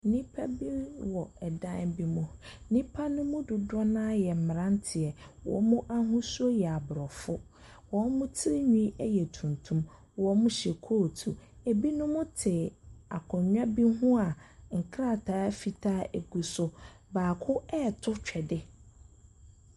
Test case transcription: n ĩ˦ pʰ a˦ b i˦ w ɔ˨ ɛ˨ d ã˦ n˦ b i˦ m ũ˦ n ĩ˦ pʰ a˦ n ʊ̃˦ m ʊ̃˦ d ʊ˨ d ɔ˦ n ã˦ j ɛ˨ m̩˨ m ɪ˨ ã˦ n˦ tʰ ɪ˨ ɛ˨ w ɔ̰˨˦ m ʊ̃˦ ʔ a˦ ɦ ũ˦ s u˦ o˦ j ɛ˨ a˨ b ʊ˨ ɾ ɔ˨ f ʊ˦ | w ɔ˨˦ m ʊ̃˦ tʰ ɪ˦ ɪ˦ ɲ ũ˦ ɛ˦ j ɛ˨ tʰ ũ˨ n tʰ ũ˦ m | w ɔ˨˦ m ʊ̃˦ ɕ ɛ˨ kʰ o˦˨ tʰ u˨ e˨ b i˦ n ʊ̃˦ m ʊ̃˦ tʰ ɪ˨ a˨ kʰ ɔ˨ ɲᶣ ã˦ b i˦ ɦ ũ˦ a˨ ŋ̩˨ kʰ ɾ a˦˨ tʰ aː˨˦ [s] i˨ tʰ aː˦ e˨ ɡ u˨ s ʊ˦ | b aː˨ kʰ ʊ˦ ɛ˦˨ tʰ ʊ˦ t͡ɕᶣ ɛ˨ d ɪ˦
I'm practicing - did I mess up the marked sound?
yes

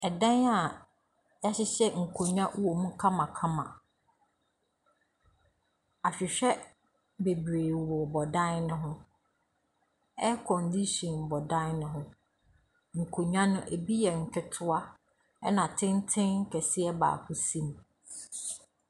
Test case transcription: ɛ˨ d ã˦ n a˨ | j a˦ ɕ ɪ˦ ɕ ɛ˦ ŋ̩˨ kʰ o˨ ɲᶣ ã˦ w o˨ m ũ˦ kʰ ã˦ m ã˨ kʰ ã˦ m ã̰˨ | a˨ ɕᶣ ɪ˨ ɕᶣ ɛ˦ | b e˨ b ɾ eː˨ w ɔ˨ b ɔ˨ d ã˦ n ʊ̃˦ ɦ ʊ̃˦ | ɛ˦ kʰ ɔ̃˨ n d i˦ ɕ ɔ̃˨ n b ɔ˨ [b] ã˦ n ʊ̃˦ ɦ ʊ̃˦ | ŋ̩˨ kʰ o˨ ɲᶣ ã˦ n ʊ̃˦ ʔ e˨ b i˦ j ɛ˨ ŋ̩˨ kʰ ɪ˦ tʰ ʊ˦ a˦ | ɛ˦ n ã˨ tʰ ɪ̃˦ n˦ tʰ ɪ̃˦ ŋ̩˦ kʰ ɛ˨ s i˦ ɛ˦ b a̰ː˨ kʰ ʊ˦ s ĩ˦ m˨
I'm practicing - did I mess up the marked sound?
yes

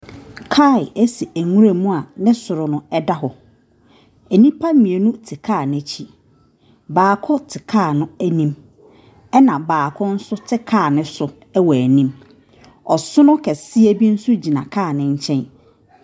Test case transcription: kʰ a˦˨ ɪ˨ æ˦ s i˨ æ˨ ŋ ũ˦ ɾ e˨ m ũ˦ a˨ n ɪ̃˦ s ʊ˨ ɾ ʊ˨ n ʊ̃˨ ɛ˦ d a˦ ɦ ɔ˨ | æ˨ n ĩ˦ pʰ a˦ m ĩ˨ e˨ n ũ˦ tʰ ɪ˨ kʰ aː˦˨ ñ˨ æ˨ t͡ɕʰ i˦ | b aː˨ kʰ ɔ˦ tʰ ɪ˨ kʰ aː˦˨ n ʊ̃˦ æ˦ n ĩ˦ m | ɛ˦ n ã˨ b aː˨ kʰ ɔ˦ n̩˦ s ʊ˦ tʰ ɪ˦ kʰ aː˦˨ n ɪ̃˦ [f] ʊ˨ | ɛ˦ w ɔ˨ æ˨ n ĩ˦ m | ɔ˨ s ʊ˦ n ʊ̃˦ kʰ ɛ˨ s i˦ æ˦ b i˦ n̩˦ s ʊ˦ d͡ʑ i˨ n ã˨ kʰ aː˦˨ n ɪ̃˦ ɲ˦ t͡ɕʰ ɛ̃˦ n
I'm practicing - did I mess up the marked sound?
yes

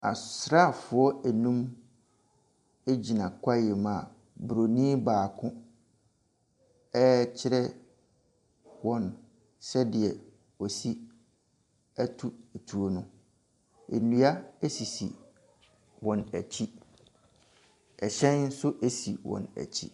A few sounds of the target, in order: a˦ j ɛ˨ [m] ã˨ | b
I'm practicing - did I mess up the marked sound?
no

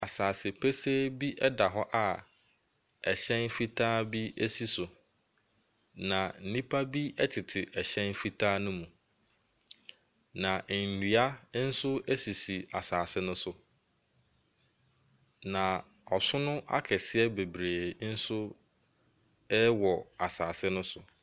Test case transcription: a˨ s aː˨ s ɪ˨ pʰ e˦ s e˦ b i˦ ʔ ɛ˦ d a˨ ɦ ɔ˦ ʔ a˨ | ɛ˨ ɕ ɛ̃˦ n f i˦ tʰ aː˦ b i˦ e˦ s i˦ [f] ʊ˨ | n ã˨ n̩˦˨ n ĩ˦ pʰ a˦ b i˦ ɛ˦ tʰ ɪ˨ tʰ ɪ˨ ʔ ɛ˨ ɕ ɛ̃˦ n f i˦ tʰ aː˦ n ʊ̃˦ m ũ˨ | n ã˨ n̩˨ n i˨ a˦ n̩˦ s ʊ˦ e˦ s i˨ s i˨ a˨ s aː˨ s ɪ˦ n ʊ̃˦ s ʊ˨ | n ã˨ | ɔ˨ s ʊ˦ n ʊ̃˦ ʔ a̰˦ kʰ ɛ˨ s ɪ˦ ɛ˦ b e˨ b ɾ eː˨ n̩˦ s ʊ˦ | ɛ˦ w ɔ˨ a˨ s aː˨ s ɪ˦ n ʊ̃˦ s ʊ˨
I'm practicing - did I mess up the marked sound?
yes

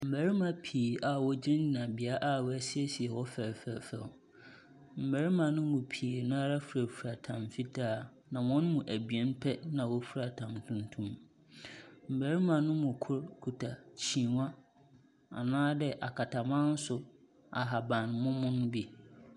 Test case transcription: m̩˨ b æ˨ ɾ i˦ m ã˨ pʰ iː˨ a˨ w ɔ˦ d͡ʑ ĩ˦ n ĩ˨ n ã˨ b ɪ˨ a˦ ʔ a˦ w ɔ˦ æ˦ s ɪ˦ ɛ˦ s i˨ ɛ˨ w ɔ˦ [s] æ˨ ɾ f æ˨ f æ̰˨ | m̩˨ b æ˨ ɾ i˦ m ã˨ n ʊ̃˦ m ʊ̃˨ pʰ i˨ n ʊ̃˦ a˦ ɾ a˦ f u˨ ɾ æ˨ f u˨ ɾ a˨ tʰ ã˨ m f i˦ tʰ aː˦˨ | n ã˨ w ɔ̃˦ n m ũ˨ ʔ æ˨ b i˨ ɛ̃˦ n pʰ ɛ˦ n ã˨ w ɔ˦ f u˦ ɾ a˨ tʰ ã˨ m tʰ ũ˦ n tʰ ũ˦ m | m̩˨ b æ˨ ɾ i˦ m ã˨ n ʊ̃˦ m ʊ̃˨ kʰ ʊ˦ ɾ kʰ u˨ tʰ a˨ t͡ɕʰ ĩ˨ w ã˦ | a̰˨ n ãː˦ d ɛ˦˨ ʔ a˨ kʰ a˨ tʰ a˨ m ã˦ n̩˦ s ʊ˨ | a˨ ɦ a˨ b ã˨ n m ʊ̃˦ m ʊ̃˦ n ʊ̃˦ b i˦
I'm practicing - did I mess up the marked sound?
yes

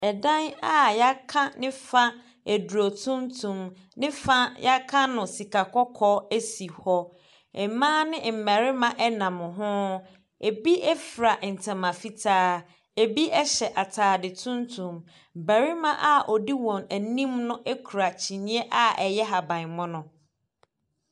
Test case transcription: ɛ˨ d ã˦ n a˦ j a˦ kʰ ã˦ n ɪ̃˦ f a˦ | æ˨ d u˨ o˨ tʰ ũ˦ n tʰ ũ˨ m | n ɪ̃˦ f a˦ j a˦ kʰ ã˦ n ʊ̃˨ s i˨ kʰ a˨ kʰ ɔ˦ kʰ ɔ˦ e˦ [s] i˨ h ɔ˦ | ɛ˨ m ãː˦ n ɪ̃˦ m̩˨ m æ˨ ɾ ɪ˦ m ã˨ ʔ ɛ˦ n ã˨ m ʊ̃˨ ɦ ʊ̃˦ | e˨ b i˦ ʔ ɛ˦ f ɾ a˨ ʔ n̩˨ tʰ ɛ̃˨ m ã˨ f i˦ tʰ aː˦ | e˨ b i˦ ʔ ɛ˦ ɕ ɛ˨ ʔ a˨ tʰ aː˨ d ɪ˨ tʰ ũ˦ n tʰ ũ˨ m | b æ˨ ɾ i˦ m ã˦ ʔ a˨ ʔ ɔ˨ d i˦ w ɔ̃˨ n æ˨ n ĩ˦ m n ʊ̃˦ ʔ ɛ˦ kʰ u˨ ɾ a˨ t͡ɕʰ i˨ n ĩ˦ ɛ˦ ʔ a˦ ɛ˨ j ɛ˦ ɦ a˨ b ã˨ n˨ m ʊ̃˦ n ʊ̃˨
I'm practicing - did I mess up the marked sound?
no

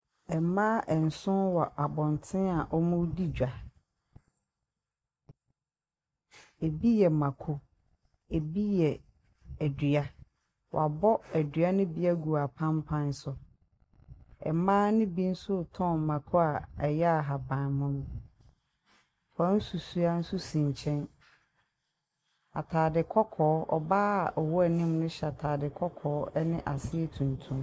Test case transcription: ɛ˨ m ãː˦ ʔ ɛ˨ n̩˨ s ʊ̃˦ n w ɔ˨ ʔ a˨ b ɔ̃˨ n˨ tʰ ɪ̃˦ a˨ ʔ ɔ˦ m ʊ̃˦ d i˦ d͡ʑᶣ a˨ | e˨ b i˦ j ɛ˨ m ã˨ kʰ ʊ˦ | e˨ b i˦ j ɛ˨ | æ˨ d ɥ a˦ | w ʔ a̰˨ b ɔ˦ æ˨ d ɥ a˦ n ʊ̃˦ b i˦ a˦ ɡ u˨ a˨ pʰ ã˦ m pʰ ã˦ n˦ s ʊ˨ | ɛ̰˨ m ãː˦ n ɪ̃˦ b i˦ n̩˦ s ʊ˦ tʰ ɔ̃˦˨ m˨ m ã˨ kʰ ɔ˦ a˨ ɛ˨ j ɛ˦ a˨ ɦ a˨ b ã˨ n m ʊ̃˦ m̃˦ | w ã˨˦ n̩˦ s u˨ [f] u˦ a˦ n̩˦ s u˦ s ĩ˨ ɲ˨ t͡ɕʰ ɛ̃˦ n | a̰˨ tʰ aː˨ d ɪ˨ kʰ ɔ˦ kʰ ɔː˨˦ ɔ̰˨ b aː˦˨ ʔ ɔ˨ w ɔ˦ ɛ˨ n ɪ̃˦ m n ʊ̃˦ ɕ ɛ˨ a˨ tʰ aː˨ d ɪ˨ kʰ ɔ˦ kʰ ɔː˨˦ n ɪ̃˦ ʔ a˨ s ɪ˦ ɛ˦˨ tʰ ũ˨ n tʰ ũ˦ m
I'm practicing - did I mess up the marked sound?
yes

